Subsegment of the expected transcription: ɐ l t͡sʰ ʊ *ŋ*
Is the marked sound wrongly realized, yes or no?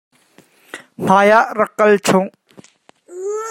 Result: no